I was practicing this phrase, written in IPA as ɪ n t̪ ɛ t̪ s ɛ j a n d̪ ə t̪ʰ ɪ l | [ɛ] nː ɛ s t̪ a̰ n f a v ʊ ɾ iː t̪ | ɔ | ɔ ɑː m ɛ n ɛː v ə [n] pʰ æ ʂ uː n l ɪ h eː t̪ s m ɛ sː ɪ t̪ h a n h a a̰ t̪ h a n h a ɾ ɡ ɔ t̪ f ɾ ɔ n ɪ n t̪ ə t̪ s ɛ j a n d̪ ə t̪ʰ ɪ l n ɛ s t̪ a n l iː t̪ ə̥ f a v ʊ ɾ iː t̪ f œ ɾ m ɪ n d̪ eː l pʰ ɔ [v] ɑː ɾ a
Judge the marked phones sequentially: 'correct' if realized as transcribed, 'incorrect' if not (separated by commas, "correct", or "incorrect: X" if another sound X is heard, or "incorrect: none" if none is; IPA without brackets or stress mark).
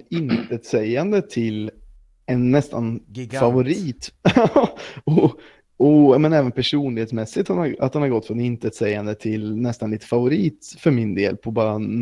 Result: correct, correct, incorrect: b